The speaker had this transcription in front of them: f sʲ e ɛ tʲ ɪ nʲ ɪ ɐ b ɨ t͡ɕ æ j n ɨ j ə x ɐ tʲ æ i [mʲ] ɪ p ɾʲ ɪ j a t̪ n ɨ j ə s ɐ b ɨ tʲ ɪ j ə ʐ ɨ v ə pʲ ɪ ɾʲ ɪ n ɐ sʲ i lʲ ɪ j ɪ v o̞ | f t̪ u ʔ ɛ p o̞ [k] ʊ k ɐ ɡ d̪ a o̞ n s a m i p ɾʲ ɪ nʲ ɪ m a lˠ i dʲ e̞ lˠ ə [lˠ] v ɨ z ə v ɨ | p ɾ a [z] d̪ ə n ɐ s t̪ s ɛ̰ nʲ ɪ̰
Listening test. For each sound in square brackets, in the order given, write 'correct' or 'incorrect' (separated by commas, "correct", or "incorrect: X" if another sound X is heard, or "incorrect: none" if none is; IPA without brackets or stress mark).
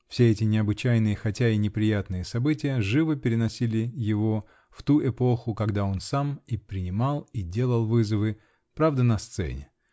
incorrect: nʲ, incorrect: x, correct, incorrect: v